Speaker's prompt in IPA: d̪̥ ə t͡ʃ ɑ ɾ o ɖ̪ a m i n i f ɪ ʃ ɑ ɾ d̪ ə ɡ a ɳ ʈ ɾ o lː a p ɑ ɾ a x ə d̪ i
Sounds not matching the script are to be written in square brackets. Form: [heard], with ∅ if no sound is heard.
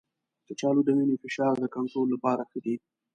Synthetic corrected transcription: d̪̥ ə t͡ʃ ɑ [l] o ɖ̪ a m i n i f ɪ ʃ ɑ ɾ d̪ ə [k] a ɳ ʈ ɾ o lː a p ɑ ɾ a x ə d̪ i